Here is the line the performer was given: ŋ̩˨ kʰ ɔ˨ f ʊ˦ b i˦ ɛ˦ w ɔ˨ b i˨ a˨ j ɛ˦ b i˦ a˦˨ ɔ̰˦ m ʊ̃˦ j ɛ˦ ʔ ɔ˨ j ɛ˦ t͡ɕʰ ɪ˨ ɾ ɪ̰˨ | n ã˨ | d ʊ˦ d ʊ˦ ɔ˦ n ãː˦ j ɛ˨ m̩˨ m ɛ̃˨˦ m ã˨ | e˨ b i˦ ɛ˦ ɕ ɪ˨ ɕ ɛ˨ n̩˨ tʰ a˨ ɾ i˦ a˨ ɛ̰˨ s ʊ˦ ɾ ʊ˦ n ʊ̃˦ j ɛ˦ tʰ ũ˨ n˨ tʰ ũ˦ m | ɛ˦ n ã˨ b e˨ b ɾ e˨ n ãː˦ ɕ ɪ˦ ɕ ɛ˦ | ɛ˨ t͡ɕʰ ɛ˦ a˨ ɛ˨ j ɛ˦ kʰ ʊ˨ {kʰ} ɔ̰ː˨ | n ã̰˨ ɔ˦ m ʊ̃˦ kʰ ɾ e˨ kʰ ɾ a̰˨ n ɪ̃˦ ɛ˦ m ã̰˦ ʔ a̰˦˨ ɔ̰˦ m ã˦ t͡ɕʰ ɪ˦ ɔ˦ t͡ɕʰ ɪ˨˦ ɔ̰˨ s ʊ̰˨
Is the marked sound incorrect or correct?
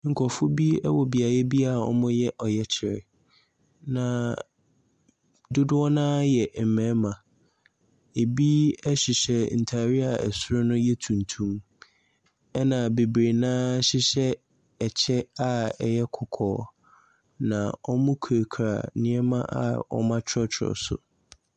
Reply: correct